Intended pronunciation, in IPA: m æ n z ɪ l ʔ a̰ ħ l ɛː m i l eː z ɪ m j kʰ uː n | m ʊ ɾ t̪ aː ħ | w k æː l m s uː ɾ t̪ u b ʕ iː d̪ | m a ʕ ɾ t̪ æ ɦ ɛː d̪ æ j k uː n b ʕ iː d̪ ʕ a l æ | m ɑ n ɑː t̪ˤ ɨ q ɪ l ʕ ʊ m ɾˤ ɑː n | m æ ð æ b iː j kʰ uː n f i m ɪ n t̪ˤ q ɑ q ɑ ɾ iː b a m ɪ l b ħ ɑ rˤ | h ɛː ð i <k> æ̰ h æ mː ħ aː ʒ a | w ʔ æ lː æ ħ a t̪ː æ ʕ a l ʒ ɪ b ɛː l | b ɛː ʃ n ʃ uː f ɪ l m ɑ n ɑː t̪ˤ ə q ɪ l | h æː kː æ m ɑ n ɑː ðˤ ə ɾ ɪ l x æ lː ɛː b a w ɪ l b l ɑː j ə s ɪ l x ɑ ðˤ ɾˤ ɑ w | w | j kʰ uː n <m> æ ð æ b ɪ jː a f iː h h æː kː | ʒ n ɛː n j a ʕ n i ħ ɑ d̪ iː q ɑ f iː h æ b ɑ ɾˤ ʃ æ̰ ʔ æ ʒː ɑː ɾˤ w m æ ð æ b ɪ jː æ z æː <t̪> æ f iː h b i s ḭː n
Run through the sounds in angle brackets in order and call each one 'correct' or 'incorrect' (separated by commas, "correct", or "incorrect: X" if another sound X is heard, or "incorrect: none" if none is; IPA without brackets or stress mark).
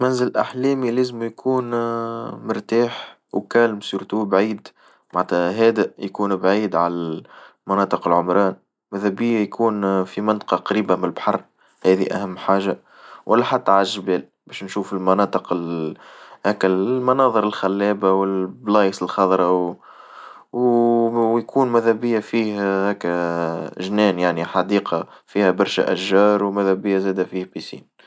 incorrect: ʔ, correct, incorrect: d̪